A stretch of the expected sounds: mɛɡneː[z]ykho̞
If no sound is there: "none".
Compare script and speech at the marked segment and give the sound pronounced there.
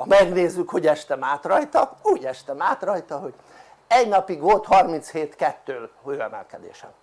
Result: zː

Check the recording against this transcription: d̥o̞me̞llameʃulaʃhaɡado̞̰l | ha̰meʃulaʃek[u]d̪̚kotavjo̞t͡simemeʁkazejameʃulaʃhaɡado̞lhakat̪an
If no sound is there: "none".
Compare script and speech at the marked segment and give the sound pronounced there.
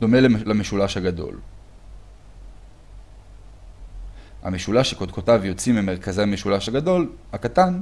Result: o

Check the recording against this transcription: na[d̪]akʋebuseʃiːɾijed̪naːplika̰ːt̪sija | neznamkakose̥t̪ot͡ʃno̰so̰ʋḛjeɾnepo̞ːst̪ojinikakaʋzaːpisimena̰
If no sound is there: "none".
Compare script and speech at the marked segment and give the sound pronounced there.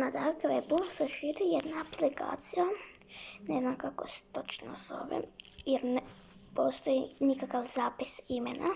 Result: d̪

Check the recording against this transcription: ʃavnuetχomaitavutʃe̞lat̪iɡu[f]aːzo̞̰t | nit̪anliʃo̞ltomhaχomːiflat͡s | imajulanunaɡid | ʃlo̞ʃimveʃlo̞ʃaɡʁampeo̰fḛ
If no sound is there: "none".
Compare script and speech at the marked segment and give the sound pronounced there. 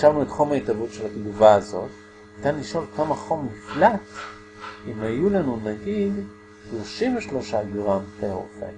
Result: v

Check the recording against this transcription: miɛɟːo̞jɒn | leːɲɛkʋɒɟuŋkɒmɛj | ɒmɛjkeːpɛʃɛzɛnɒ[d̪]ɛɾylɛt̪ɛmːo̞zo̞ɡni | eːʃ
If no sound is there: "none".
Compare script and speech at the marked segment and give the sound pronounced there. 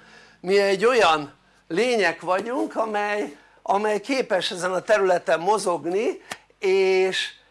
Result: t̪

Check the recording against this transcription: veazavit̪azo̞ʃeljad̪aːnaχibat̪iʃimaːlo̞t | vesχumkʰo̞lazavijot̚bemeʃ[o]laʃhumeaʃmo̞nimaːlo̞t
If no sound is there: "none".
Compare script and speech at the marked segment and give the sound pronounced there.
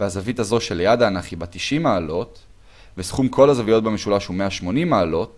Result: u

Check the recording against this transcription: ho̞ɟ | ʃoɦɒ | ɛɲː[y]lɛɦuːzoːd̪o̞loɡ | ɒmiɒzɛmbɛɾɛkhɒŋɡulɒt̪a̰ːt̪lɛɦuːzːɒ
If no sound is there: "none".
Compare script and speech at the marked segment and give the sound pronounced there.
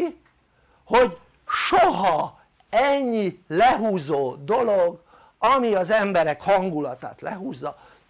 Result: i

